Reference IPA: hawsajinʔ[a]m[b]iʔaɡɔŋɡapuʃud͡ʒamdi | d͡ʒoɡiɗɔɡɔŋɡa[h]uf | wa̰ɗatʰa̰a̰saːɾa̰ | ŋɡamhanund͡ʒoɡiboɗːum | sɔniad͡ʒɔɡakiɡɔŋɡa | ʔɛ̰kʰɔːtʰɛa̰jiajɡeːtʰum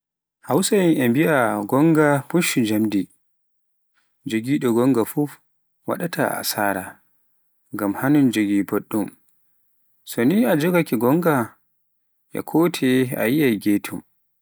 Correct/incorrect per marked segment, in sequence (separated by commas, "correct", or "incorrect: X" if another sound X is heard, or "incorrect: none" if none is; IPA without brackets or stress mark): incorrect: ɛ, correct, incorrect: f